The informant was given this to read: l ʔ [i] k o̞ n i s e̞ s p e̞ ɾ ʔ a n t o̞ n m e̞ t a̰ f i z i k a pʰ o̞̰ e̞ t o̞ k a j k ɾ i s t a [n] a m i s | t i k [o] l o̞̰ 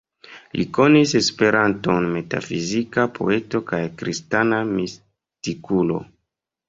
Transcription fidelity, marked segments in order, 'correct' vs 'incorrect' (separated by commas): correct, correct, incorrect